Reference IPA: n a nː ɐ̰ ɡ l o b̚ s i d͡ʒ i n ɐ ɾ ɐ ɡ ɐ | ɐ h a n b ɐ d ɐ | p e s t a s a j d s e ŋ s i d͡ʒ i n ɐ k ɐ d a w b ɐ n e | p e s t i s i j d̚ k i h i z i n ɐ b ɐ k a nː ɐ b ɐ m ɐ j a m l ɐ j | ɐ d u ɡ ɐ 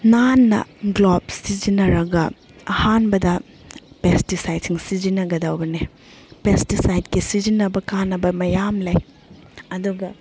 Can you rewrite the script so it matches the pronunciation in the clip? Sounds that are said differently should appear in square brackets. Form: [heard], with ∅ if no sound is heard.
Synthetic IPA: n a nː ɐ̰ ɡ l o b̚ s i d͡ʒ i n ɐ ɾ ɐ ɡ ɐ | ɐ h a n b ɐ d ɐ | p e s t [i] s a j d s [i] ŋ s i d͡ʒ i n ɐ [ɡ] ɐ d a w b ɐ n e | p e s t i s [a] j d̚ k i [s] i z i n ɐ b ɐ k a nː ɐ b ɐ m ɐ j a m l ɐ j | ɐ d u ɡ ɐ